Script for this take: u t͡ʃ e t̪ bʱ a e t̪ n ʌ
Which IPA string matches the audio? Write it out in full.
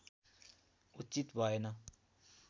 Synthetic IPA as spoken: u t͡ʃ i t̪ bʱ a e n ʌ